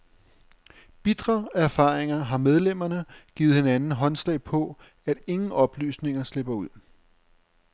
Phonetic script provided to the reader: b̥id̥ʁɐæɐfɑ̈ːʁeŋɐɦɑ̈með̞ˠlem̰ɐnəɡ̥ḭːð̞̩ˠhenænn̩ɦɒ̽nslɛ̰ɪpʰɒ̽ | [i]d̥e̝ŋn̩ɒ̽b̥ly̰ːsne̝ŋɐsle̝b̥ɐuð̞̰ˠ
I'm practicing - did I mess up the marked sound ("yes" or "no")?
yes